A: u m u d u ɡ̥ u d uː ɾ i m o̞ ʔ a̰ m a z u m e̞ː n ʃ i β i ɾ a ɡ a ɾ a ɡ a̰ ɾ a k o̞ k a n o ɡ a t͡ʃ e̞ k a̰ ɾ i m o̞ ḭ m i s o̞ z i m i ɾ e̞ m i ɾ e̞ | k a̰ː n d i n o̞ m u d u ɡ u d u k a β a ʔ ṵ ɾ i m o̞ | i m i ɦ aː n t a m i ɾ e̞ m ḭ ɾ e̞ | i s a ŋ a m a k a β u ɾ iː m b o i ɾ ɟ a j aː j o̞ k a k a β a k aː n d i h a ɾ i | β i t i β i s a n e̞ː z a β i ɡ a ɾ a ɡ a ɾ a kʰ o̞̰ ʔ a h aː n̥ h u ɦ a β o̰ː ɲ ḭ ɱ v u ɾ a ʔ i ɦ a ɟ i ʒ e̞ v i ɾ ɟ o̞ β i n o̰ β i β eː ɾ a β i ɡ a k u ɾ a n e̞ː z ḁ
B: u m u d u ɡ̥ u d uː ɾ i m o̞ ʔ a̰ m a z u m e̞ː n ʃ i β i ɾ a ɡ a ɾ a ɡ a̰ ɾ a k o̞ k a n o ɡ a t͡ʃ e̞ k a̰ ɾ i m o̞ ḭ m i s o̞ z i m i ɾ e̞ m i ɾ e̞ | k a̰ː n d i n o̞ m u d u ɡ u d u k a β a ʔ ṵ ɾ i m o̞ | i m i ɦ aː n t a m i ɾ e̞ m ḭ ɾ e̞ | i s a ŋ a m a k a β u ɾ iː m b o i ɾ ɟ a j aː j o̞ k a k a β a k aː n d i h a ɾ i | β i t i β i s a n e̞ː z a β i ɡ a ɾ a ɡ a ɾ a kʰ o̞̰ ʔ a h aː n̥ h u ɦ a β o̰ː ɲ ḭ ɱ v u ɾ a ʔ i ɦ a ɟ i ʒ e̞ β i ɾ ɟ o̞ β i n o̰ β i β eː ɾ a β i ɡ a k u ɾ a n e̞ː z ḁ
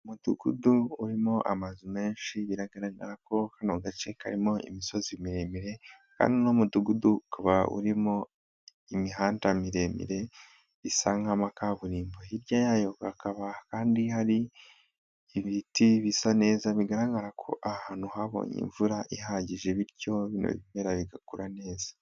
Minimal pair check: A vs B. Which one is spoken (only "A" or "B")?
B